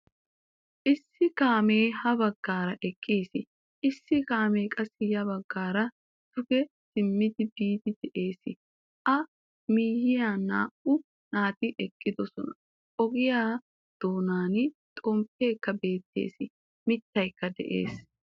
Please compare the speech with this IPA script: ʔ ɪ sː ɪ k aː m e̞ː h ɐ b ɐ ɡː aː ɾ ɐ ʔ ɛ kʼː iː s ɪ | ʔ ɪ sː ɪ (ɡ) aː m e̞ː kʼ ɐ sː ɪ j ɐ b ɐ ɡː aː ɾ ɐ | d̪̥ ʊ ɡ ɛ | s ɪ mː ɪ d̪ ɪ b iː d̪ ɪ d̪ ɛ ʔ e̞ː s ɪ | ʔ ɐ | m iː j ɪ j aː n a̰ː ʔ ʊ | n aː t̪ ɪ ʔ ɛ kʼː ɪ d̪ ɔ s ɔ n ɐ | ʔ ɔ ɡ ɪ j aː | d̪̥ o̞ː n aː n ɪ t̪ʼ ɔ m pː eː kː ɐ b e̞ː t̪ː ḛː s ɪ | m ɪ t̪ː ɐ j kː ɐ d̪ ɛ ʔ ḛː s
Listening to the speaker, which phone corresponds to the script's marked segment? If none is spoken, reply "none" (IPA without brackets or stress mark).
k